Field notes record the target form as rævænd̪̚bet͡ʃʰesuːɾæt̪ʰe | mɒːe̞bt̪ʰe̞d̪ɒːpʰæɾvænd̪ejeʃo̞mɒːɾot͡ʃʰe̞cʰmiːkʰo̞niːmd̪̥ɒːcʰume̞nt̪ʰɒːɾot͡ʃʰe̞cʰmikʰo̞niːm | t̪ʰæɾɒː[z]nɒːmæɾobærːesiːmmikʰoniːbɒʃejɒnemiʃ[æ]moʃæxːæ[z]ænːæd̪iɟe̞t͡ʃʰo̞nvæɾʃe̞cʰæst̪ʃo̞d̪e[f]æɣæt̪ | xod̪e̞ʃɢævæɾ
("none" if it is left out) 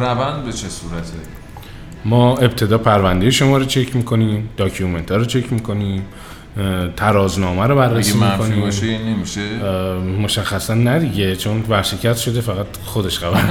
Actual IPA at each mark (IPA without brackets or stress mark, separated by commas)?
z, e, s, f